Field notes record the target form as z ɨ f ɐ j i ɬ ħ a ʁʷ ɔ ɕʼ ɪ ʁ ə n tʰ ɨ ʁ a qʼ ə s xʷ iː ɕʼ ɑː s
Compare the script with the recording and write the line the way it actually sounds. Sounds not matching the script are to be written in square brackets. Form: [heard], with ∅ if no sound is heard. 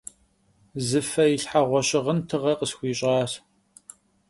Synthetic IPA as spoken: z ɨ f ɐ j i ɬ ħ a ʁʷ ɔ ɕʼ ɪ ʁ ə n tʰ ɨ ʁ [ɐ] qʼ ə s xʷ iː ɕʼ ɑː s